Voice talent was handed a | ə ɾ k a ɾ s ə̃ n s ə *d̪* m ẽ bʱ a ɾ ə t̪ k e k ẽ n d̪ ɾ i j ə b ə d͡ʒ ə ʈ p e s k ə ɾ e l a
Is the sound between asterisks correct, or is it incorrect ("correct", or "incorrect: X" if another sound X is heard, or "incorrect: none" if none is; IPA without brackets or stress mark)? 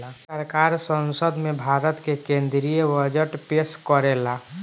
correct